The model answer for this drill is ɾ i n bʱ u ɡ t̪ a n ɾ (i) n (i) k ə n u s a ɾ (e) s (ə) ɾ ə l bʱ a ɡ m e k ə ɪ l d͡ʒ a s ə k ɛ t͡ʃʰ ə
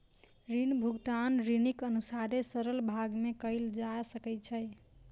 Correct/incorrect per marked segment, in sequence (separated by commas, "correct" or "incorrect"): correct, correct, correct, correct